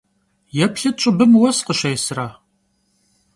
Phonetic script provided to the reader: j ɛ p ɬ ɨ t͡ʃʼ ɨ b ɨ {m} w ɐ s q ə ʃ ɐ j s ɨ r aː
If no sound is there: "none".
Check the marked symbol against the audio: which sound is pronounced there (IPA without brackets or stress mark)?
m